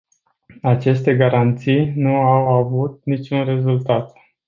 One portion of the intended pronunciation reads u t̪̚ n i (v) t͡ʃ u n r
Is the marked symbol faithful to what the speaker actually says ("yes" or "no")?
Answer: no